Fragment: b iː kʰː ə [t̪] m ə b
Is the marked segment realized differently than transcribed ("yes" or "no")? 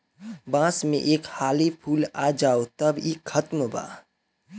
no